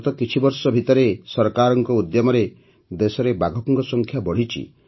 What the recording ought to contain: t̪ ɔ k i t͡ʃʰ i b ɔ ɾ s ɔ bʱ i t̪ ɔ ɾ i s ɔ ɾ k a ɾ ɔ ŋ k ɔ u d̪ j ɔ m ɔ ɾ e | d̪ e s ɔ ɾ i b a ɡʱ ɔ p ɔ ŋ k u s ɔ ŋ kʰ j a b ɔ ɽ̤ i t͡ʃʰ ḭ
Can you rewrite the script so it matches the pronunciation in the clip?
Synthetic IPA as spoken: t̪ ɔ k i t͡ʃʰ i b ɔ ɾ s ɔ bʱ i t̪ ɔ ɾ e s ɔ ɾ k a ɾ ɔ ŋ k ɔ u d̪ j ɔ m ɔ ɾ e | d̪ e s ɔ ɾ e b a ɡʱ ɔ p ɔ ŋ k ɔ s ɔ ŋ kʰ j a b ɔ ɽ̤ i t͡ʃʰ ḭ